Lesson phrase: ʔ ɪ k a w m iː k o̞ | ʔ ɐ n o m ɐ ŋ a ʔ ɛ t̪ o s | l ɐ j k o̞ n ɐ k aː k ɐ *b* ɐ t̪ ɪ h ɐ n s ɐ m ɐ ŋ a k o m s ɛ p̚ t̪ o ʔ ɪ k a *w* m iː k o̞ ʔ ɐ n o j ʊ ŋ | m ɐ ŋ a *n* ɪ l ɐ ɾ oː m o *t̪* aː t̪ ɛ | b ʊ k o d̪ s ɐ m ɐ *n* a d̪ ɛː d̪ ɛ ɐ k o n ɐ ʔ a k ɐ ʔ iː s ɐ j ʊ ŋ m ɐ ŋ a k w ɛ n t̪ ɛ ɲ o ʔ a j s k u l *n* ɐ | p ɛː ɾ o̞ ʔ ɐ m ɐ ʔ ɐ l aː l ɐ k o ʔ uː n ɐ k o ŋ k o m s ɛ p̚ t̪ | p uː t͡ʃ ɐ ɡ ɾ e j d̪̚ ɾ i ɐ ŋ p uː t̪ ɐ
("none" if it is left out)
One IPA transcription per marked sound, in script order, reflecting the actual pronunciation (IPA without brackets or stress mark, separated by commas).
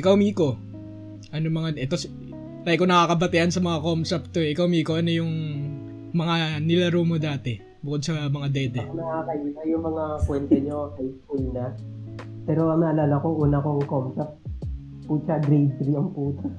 b, w, n, d̪, ŋ, n